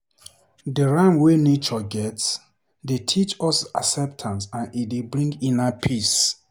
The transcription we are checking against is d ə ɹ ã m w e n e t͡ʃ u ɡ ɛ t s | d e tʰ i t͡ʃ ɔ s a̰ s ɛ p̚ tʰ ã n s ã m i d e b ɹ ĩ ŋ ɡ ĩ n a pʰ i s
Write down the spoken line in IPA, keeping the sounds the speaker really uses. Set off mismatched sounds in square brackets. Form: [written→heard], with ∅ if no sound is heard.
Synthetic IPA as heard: d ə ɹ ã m w e n e t͡ʃ [u→ɔ] ɡ ɛ t s | d e tʰ i t͡ʃ ɔ s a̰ s ɛ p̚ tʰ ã n s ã [m→n] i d e b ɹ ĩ ŋ ɡ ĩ n a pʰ i s